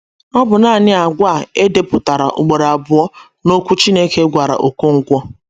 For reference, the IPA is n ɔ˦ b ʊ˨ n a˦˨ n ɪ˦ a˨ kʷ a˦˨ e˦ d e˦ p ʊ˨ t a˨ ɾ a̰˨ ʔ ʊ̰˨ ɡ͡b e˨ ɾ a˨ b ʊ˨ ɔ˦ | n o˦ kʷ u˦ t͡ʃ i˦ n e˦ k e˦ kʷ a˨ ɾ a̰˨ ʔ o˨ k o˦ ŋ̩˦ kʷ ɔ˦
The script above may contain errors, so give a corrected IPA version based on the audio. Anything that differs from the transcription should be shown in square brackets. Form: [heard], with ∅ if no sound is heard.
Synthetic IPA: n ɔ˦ b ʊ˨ n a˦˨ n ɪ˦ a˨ [ɡʷ] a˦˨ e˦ d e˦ p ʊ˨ t a˨ ɾ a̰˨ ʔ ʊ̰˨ ɡ͡b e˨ ɾ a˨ b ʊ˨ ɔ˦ | n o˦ kʷ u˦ t͡ʃ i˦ n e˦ k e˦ [ɡʷ] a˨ ɾ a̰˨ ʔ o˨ k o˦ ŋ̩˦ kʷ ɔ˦

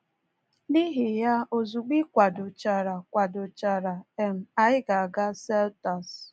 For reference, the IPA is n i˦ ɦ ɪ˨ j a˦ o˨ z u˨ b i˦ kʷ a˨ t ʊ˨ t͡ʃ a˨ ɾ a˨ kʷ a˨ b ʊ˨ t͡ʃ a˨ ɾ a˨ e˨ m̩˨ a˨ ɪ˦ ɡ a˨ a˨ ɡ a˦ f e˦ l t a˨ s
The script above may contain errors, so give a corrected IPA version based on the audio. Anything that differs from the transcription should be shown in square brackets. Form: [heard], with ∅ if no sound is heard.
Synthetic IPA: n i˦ ɦ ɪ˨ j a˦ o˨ z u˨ [ɡ͡b] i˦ kʷ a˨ [d] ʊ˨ t͡ʃ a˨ ɾ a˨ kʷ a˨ [d] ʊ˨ t͡ʃ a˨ ɾ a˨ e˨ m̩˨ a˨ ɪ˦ ɡ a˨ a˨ ɡ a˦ [s] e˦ l t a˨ s

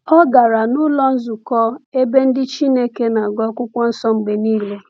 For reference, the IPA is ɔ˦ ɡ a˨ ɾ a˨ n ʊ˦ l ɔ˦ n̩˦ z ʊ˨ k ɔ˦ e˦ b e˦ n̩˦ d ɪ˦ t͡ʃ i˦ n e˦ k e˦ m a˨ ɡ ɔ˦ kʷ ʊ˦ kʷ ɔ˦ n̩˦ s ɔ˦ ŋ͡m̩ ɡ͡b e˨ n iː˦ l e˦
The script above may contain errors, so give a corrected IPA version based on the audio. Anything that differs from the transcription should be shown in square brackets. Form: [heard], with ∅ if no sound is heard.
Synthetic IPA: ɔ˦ ɡ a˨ ɾ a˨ n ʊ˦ l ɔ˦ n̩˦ z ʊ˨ k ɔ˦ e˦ b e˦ n̩˦ d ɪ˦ t͡ʃ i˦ n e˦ k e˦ [n] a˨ ɡ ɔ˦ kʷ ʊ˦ kʷ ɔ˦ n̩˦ s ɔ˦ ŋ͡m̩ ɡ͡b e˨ n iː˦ l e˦

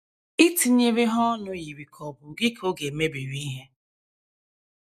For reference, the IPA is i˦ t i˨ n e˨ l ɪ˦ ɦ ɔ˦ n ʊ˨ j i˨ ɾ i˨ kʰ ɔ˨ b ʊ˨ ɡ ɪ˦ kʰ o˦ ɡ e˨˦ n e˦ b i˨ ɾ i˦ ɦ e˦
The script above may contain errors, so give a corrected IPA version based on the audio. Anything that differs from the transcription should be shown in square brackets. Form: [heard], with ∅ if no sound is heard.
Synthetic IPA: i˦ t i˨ [ɲ] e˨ [ɾ] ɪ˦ ɦ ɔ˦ n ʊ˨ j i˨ ɾ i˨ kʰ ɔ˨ b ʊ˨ ɡ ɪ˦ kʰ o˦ ɡ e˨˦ [m] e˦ b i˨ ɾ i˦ ɦ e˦

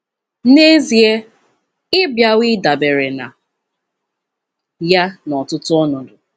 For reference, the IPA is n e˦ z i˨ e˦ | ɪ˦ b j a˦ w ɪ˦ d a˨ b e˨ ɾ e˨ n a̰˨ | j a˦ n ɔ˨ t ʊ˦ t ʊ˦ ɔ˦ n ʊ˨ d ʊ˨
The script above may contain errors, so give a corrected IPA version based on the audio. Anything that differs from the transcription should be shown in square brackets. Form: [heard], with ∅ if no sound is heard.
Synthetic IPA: n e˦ z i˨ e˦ | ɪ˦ b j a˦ w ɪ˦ d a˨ b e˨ ɾ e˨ n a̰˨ | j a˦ n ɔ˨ t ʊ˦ t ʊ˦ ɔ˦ n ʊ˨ d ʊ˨

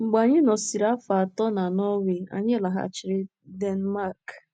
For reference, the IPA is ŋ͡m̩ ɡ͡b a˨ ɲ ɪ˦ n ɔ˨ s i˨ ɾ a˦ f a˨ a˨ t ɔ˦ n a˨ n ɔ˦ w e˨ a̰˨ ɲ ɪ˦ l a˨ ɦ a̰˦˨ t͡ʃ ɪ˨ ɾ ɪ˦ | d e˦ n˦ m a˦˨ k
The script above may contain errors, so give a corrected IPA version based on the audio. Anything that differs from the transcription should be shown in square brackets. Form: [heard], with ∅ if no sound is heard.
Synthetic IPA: ŋ͡m̩ ɡ͡b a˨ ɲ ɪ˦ n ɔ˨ s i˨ ɾ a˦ f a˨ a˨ t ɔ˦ n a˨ n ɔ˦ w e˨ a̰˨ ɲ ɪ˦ l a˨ ɦ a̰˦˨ t͡ʃ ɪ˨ ɾ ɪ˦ | d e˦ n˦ m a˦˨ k

